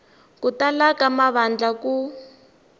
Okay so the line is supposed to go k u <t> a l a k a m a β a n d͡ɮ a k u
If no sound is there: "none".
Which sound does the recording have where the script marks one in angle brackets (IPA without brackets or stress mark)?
t